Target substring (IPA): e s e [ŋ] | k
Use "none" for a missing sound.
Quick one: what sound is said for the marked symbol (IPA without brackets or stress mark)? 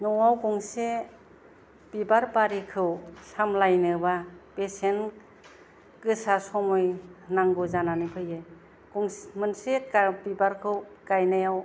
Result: n